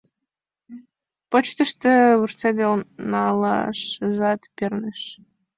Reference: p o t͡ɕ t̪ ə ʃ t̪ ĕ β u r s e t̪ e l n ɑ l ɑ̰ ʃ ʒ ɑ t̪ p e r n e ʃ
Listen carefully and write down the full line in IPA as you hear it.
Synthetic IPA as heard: p o t͡ɕ t̪ ə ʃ t̪ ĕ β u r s e d̪ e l n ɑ l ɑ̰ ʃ ʒ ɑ t̪ p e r n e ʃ